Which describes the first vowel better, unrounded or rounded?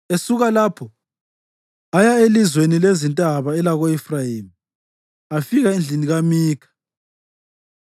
unrounded